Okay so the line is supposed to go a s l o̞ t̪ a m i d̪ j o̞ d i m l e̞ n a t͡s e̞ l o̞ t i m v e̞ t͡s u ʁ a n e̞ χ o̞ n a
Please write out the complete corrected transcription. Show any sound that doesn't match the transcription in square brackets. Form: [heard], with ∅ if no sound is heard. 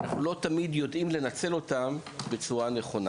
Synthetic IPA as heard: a [χ] l o̞ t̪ a m i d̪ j o̞ d i m l e̞ n a t͡s e̞ l o̞ t [a] m [b] e̞ t͡s u ʁ a n e̞ χ o̞ n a

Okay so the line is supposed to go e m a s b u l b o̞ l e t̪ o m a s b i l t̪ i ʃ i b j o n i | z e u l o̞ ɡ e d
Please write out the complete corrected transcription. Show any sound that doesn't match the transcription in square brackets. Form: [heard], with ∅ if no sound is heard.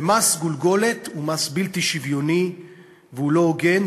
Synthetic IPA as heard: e m a s [ɡ] u l [ɡ] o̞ l e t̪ [u] m a s b i l t̪ i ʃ i [v] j o n i | [v] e u l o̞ ɡ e [n]

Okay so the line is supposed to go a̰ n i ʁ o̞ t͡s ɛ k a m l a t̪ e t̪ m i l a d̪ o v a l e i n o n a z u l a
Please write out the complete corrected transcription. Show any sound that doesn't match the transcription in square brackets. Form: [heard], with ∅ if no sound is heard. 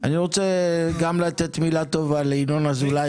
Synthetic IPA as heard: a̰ n i ʁ o̞ t͡s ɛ [ɡ] a m l a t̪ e t̪ m i l a [t̪] o v a l e i n o n a z u l a

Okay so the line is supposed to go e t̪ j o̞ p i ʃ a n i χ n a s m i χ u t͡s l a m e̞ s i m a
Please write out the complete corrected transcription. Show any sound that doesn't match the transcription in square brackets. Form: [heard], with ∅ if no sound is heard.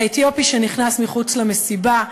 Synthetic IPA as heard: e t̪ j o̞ p i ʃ [e] n i χ n a s m i χ u t͡s l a m e̞ s i [b] a

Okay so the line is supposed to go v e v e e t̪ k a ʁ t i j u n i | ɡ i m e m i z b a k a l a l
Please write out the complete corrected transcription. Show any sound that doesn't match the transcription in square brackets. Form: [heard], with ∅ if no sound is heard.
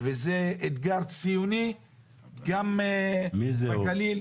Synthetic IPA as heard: v e [z] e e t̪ [ɡ] a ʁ [t͡s] i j u n i | ɡ [a] m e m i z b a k a l [i] l

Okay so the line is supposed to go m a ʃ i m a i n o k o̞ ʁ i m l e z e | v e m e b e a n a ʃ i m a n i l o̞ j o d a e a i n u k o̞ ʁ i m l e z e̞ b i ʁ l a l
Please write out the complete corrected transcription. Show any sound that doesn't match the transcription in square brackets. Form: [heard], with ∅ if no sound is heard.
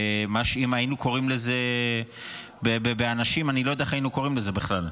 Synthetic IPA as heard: m a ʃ i m a i n [u] k o̞ ʁ i m l e z e | [b] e [b] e b e a n a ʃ i m a n i l o̞ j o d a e a i n u k o̞ ʁ i m l e z e̞ b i [χ] l a l

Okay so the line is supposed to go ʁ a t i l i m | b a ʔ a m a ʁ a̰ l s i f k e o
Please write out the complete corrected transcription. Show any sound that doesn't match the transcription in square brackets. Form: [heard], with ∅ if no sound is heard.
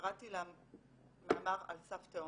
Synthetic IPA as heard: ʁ a t i l [a] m | [m] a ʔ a m a ʁ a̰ l s [a] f [t] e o

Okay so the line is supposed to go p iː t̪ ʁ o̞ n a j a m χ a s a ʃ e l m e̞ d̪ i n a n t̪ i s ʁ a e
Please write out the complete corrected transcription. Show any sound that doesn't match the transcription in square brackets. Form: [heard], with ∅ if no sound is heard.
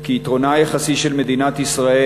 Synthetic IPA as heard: [k] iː t̪ ʁ o̞ n a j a [∅] χ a s [i] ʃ e l m e̞ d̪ i n a [∅] t̪ i s ʁ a e

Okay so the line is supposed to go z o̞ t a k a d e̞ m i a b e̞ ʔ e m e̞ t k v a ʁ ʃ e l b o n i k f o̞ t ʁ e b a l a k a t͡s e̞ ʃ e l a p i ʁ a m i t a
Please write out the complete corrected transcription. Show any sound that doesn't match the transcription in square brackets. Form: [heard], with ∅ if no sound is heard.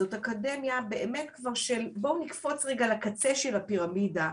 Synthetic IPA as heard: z o̞ t a k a d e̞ m [j] a b e̞ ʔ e m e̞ t k v a ʁ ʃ e l b o n i k f o̞ [t͡s] ʁ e [ɡ] a l a k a t͡s e̞ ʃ e l a p i ʁ a m i [d] a

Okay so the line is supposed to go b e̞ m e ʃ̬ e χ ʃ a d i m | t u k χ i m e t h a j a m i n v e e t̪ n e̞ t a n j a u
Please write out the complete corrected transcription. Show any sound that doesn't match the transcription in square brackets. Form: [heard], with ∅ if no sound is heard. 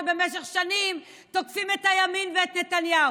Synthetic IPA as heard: b e̞ m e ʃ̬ e χ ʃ a [n] i m | t [o] k [f] i m e t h a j a m i n v e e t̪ n e̞ t a n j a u

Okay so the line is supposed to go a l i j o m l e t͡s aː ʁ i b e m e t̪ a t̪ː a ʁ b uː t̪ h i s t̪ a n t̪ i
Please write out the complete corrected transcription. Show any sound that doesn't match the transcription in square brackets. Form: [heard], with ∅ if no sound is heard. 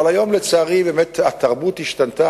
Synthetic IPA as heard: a l [a] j o m l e t͡s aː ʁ i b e m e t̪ a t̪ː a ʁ b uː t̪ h i [ʃ] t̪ a n t̪ [a]

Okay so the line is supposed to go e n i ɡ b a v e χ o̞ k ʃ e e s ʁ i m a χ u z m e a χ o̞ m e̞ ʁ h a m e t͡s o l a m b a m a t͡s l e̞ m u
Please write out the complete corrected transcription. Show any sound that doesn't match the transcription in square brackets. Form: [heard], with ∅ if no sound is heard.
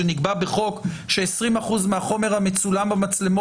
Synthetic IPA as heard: e n i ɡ b a [b] e χ o̞ k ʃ e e s ʁ i m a χ u z m e a χ o̞ m e̞ ʁ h a m e t͡s [u] l a m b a m a t͡s l e̞ m [o]

